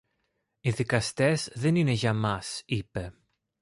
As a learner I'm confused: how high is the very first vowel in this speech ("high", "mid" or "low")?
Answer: high